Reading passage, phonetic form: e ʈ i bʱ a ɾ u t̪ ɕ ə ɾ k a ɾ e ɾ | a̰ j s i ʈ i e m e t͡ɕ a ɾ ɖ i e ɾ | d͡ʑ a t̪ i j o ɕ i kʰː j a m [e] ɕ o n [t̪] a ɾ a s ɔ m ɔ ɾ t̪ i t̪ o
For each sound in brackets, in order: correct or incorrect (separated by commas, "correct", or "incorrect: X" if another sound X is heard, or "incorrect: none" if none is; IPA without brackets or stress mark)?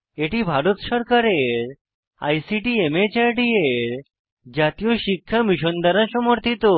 incorrect: i, incorrect: d̪